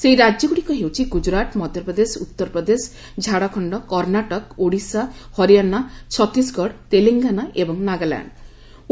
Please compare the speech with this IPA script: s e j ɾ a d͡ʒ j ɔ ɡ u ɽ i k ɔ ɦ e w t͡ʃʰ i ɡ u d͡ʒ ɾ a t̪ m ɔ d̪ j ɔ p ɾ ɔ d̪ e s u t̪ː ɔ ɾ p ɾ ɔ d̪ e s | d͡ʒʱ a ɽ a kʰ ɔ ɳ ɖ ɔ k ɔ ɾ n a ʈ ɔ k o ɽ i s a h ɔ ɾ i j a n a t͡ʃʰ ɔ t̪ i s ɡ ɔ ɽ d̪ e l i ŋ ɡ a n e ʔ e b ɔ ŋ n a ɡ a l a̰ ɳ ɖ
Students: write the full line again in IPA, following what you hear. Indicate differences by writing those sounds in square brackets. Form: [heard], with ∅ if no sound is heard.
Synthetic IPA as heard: s e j ɾ a d͡ʒ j ɔ ɡ u ɽ i k ɔ ɦ e w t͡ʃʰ i ɡ u d͡ʒ ɾ a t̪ m ɔ d̪ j ɔ p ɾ ɔ d̪ e s u t̪ː ɔ ɾ p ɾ ɔ d̪ e s | d͡ʒʱ a ɽ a kʰ ɔ ɳ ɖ ɔ k ɔ ɾ n a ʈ ɔ k o ɽ i s a h ɔ ɾ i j a n a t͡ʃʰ ɔ t̪ i s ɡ ɔ ɽ [t̪] e l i ŋ ɡ a n [a] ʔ e b ɔ ŋ n a ɡ a l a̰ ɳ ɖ